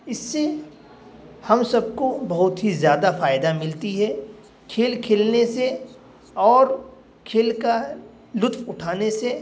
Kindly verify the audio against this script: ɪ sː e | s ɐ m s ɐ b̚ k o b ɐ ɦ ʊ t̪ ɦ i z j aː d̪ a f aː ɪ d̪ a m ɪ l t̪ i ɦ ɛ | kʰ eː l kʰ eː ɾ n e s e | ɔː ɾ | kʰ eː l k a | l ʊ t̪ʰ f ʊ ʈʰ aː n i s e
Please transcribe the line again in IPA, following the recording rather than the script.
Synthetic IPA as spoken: ɪ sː e | h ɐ m s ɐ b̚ k o b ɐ ɦ ʊ t̪ ɦ i z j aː d̪ a f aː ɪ d̪ a m ɪ l t̪ i ɦ ɛ | kʰ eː l kʰ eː l n e s e | ɔː ɾ | kʰ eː l k a | l ʊ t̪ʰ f ʊ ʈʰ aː n e s e